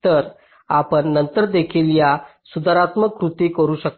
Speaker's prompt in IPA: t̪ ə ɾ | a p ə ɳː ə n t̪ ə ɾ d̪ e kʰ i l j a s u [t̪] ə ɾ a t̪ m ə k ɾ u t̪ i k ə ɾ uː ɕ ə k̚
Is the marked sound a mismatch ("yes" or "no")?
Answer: yes